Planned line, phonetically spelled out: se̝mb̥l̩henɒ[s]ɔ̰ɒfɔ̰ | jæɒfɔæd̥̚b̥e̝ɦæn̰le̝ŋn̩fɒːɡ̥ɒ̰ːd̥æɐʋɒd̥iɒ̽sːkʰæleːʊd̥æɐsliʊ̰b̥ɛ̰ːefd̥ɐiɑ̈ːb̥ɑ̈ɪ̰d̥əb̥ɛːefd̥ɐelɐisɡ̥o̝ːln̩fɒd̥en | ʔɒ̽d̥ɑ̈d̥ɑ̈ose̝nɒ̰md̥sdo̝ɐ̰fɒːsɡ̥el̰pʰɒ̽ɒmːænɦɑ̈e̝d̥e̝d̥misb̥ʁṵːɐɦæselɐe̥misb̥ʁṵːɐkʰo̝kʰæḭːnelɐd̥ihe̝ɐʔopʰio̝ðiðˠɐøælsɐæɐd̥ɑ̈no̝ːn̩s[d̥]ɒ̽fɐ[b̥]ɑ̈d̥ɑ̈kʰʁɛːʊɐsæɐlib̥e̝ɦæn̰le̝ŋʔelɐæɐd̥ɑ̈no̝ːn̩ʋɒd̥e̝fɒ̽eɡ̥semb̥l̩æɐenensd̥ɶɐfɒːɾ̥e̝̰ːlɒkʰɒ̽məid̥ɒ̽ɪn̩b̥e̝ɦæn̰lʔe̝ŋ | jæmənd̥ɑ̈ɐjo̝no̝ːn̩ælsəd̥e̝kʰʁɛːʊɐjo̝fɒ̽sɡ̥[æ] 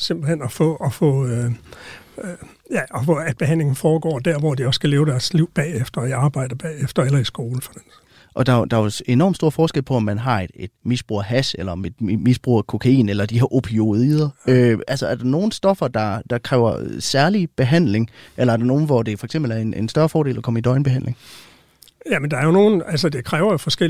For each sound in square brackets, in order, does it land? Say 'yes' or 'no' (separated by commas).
no, yes, no, no